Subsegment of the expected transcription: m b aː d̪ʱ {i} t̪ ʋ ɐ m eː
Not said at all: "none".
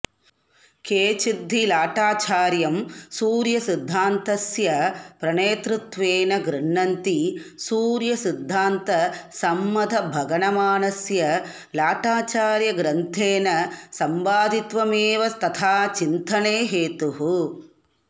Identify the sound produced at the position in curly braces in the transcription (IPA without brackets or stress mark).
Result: i